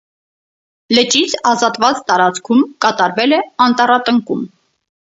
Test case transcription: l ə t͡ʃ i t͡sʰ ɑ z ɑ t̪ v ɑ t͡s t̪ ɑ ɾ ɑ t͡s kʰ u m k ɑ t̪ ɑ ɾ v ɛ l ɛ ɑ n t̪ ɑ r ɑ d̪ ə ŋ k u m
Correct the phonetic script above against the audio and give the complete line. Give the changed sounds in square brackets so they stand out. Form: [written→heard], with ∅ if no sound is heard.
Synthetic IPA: l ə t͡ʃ i t͡sʰ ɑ z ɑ t̪ v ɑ t͡s t̪ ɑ ɾ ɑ t͡s kʰ u m k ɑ t̪ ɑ ɾ v ɛ l ɛ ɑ n t̪ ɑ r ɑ [d̪→t̪] ə ŋ k u m